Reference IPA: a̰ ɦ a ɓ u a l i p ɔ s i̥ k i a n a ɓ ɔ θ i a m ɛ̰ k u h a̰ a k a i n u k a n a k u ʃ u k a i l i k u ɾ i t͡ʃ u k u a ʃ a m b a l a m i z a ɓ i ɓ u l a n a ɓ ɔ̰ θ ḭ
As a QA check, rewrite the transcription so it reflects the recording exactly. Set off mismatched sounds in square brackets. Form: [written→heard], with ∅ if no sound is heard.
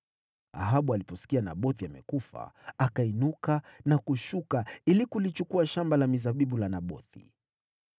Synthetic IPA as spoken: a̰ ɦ a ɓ u a l i p ɔ s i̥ k i a n a ɓ ɔ θ i a m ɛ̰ k u [h→f] a̰ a k a i n u k a n a k u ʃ u k a i l i k u [ɾ→l] i t͡ʃ u k u a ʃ a m b a l a m i z a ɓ i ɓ u l a n a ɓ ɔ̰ θ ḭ

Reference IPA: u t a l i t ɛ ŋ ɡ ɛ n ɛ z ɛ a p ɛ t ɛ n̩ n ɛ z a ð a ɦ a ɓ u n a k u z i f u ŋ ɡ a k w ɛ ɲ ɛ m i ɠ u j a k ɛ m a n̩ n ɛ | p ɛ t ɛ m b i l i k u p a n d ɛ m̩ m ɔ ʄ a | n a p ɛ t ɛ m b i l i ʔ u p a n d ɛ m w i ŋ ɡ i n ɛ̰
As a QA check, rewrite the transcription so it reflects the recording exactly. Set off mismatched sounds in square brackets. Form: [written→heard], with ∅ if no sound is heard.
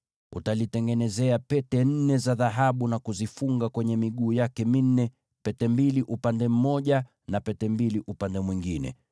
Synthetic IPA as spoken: u t a l i t ɛ ŋ ɡ ɛ n ɛ z ɛ a p ɛ t ɛ n̩ n ɛ z a ð a ɦ a ɓ u n a k u z i f u ŋ ɡ a k w ɛ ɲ ɛ m i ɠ [u→uː] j a k ɛ m [a→i] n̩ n ɛ | p ɛ t ɛ m b i l i [k→ʔ] u p a n d ɛ m̩ m ɔ ʄ a | n a p ɛ t ɛ m b i l i ʔ u p a n d ɛ m w i ŋ ɡ i n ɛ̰

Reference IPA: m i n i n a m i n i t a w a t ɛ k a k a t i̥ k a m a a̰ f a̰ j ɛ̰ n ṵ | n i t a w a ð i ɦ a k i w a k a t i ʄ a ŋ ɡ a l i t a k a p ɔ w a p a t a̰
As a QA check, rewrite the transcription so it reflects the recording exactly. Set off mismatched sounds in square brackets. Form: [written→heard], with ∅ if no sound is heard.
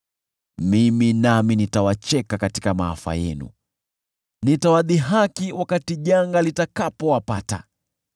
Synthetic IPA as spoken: m i [n→m] i n a m i n i t a w a [t→t͡ʃ] ɛ k a k a t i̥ k a m a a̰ f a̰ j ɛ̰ n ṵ | n i t a w a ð i ɦ a k i w a k a t i ʄ a ŋ ɡ a l i t a k a p ɔ w a p a t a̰

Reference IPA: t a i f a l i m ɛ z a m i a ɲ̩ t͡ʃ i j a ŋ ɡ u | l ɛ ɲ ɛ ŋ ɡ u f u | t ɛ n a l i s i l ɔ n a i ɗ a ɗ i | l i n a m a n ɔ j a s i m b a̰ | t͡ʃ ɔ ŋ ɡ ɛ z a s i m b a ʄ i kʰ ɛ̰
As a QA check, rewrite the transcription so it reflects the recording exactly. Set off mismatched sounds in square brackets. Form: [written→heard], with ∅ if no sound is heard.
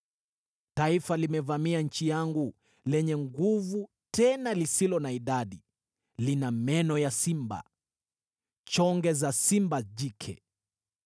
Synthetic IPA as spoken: t a i f a l i m ɛ [z→v] a m i a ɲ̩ t͡ʃ i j a ŋ ɡ u | l ɛ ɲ ɛ ŋ ɡ u [f→v] u | t ɛ n a l i s i l ɔ n a i ɗ a ɗ i | l i n a m [a→ɛ] n ɔ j a s i m b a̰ | t͡ʃ ɔ ŋ ɡ ɛ z a s i m b a ʄ i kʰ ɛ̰

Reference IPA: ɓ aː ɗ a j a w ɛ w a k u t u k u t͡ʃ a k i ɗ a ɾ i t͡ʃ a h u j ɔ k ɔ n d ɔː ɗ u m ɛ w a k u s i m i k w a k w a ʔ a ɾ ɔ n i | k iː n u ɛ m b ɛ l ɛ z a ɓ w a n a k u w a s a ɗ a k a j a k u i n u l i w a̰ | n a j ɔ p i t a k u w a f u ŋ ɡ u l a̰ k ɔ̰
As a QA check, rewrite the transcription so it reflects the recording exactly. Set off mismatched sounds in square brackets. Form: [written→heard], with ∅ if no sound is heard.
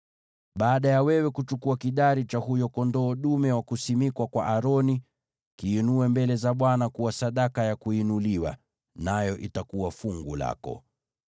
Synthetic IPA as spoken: ɓ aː ɗ a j a w ɛ w [a→ɛ] k u [t→t͡ʃ] u k u [t͡ʃ→∅] a k i ɗ a ɾ i t͡ʃ a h u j ɔ k ɔ n d ɔː ɗ u m ɛ w a k u s i m i k w a k w a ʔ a ɾ ɔ n i | k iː n u ɛ m b ɛ l ɛ z a ɓ w a n a k u w a s a ɗ a k a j a k u i n u l i w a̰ | n a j ɔ [p→ʔ] i t a k u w a f u ŋ ɡ u l a̰ k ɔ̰

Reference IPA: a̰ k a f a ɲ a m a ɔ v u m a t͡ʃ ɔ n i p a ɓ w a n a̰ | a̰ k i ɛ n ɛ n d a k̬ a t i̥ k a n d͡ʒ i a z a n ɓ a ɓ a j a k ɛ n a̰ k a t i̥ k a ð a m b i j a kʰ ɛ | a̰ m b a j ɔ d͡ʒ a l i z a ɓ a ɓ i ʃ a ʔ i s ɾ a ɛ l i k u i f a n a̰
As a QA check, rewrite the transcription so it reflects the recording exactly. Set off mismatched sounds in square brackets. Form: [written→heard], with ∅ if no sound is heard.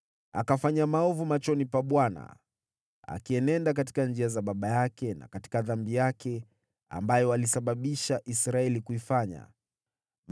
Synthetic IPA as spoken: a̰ k a f a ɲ a m a ɔ v u m a t͡ʃ ɔ n i p a ɓ w a n a̰ | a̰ k i ɛ n ɛ n d a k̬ a t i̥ k a n d͡ʒ i a z a [n→∅] ɓ a ɓ a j a k ɛ n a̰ k a t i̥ k a ð a m b i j a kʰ ɛ | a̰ m b a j ɔ [d͡ʒ→∅] a l i [z→s] a ɓ a ɓ i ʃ a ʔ i s ɾ a ɛ l i k u i f a [n→ɲ] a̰

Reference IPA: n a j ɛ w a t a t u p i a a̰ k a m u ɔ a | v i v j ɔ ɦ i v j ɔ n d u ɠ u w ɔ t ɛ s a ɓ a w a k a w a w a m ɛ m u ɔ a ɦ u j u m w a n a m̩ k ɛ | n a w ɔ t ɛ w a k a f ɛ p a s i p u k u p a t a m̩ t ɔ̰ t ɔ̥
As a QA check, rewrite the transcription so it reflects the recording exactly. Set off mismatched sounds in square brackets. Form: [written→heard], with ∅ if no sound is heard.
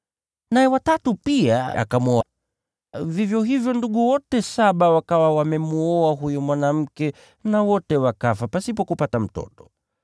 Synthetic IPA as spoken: n a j ɛ w a t a t u p i a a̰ k a m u ɔ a | v i v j ɔ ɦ i v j ɔ n d u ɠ u w ɔ t ɛ s a ɓ a w a k a w a w a m ɛ m u ɔ a ɦ u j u m w a n a m̩ k ɛ | n a w ɔ t ɛ w a k a f [ɛ→a] p a s i p [u→ɔ] k u p a t a m̩ t ɔ̰ t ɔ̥

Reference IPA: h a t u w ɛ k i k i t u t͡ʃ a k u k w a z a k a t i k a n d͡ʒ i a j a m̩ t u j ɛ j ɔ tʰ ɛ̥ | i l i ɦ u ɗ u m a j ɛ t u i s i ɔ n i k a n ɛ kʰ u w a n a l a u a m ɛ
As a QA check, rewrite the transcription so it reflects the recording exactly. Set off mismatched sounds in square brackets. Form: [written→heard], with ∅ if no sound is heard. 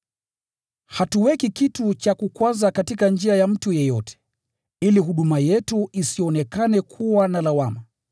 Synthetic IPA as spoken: h a t u w ɛ k i k i t u t͡ʃ a k u k w a z a k a t i k a n d͡ʒ i a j a m̩ t u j ɛ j ɔ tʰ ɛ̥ | i l i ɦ u ɗ u m a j ɛ t u i s i ɔ n [i→ɛ] k a n ɛ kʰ u w a n a l a [u→w] a m [ɛ→a]

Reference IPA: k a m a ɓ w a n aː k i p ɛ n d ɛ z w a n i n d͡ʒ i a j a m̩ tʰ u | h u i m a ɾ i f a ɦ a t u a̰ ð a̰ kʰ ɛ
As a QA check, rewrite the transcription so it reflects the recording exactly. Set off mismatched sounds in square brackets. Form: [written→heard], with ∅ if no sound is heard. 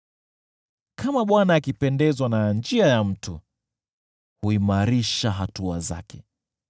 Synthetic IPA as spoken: k a m a ɓ w a n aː k i p ɛ n d ɛ z w a n [i→a] n d͡ʒ i a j a m̩ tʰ u | h u i m a ɾ i [f→ʃ] a ɦ a t u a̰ [ð→z] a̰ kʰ ɛ

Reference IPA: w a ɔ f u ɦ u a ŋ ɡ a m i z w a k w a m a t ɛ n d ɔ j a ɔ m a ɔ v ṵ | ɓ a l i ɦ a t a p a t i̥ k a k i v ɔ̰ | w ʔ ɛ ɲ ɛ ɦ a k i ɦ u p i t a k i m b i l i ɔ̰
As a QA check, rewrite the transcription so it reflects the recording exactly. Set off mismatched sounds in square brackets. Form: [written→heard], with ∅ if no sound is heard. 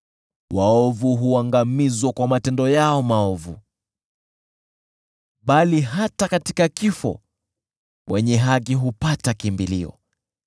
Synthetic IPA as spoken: w a ɔ [f→v] u ɦ u a ŋ ɡ a m i z w a k w a m a t ɛ n d ɔ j a ɔ m a ɔ v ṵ | ɓ a l i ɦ a t a [p→k] a t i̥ k a k i [v→f] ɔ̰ | w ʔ ɛ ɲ ɛ ɦ a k i ɦ u p [i→a] t a k i m b i l i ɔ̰

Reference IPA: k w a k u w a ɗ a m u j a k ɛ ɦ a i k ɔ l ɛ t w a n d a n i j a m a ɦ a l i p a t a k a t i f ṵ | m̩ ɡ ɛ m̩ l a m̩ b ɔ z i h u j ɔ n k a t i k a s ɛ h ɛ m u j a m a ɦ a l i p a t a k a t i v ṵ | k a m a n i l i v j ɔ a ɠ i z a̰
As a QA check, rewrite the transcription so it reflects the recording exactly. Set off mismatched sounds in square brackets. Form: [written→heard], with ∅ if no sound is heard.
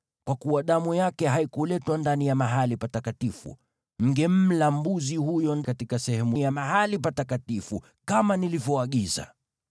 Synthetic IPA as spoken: k w a k u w a ɗ a m u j a k ɛ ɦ a i k [ɔ→u] l ɛ t w a n d a n i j a m a ɦ a l i p a t a k a t i f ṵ | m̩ ɡ ɛ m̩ l a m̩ b [ɔ→u] z i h u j ɔ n k a t i k a s ɛ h ɛ m u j a m a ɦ a l i p a t a k a t i [v→f] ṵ | k a m a n i l i v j ɔ a ɠ i z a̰

